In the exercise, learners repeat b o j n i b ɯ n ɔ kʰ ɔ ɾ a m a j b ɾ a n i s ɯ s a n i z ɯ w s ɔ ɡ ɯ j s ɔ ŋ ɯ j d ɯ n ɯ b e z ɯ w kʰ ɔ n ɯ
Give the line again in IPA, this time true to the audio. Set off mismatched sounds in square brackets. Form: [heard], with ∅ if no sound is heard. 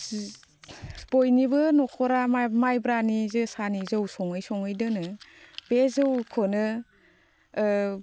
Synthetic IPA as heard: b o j n i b ɯ n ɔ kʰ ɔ ɾ a m a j b ɾ a n i [z] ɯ s a n i z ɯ w s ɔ [ŋ] ɯ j s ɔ ŋ ɯ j d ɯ n ɯ b e z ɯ w kʰ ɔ n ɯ